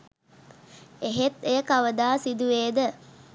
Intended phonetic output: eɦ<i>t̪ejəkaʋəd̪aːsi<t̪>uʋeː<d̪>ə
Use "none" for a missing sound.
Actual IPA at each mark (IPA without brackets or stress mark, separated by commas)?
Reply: e, d̪, d̪